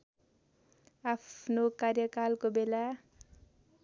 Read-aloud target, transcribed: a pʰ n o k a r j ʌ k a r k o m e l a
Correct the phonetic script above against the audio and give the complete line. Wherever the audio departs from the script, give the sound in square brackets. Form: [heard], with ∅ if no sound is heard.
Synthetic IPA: a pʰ n o k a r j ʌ k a [l] k o [b] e l a